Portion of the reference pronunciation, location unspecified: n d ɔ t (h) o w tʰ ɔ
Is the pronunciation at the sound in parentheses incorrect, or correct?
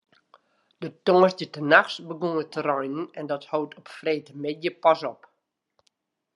correct